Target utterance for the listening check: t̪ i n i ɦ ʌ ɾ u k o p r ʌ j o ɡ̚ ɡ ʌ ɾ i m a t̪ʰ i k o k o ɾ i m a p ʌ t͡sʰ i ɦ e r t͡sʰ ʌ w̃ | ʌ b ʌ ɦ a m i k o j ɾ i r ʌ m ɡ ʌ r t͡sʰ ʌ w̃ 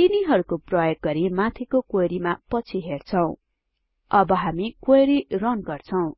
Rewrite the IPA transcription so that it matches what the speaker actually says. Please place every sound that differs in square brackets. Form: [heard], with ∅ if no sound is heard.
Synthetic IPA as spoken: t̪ i n i ɦ ʌ ɾ u k o p r ʌ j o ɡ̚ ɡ ʌ ɾ i m a t̪ʰ i k o k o ɾ i m a p ʌ t͡sʰ i ɦ e r t͡sʰ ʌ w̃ | ʌ b ʌ ɦ a m i k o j ɾ i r ʌ [n] ɡ ʌ r t͡sʰ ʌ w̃